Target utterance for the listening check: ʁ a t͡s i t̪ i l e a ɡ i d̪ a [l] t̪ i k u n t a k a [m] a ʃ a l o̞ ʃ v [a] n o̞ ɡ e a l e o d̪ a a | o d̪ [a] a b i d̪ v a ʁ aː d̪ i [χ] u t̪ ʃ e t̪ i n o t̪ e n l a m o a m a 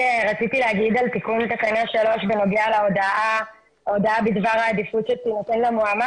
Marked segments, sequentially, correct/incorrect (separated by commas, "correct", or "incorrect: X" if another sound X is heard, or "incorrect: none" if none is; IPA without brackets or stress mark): correct, incorrect: n, incorrect: e, correct, incorrect: f